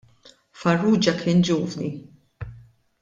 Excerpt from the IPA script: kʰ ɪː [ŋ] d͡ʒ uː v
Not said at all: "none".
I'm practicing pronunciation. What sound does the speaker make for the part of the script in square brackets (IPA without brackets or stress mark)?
n